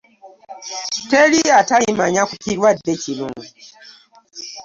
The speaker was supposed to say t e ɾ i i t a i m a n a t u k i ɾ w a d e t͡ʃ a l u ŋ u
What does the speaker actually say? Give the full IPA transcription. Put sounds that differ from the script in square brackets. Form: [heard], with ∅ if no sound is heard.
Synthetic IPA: t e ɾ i [a] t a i m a [ɲ] a [k] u k i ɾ w a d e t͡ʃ [i] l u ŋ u

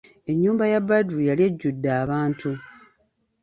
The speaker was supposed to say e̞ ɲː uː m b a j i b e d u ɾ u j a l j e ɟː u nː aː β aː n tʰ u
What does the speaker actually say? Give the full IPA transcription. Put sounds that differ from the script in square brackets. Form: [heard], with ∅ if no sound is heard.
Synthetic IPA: e̞ ɲː uː m b a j [a] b [a] d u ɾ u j a l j e ɟː u [dː] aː β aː n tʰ u

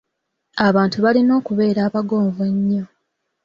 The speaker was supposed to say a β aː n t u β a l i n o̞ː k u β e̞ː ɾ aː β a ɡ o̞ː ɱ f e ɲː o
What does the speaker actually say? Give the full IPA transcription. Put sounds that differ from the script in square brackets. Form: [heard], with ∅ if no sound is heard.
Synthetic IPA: a β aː n t u β a l i n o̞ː k u β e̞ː ɾ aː β a ɡ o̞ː ɱ [v] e ɲː o

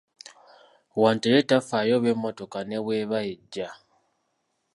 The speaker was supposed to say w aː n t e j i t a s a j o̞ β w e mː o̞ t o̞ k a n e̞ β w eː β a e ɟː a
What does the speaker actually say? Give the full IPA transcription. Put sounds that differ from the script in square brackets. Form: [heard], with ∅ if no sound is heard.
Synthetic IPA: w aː n t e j [e] t a [f] a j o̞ β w e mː o̞ t o̞ k a n e̞ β w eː β a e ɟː a

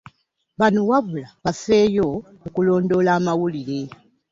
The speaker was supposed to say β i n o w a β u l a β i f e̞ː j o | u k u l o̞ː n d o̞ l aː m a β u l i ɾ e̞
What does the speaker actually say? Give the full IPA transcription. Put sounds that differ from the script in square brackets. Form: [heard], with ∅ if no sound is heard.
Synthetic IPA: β [a] n o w a β u l a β [a] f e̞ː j o | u k u l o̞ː n d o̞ l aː m a [w] u l i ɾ e̞

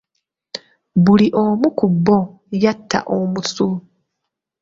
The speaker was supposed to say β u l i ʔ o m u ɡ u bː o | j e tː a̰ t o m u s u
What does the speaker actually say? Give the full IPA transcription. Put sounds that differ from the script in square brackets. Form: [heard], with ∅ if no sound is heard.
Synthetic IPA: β u l i ʔ o m u [k] u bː o | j [a] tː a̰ [ʔ] o m u s u

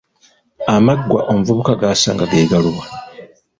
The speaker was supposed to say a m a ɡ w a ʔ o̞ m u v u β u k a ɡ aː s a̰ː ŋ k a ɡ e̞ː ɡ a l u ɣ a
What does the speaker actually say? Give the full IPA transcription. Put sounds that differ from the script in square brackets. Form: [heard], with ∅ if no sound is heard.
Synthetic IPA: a m a ɡ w a ʔ o̞ m u v u β u k a ɡ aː s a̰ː ŋ [ɡ] a ɡ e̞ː ɡ a l u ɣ a

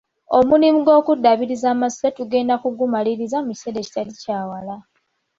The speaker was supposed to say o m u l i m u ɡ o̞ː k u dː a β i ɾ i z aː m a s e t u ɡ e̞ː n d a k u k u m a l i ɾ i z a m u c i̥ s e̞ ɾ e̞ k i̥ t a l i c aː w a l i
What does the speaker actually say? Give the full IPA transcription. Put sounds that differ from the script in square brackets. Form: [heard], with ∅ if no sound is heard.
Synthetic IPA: o m u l i m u ɡ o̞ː k u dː a β i ɾ i z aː m a s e t u ɡ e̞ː n d a k u [ɡ] u m a l i ɾ i z a m u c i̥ s e̞ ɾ e̞ [c] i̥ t a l i c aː w a l [a]

